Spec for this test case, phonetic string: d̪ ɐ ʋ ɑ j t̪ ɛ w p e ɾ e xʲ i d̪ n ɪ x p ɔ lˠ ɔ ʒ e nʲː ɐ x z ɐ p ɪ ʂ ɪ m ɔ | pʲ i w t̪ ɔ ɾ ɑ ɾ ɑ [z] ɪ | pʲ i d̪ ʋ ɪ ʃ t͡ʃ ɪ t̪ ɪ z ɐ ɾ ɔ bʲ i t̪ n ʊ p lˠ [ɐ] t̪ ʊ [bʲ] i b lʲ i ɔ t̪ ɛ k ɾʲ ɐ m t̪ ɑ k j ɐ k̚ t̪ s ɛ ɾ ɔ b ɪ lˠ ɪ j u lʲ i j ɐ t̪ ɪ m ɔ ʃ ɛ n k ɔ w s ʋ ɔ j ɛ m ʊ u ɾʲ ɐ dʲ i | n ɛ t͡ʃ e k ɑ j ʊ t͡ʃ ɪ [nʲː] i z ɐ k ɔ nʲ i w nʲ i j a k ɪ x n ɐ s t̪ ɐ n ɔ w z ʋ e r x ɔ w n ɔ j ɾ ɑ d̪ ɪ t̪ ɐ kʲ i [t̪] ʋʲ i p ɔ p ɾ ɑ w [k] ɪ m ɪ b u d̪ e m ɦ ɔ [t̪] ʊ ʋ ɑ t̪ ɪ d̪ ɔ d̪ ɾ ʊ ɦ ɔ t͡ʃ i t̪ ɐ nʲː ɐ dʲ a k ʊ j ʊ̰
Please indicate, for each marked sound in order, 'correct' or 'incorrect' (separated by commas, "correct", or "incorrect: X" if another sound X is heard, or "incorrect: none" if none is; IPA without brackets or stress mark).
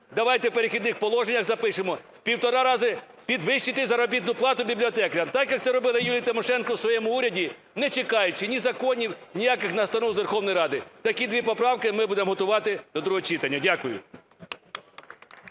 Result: correct, incorrect: ɑ, correct, incorrect: nʲ, incorrect: d̪, correct, correct